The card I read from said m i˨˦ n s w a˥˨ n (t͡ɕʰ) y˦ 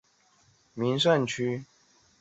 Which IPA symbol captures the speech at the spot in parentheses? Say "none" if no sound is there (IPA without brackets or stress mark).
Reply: t͡ɕʰ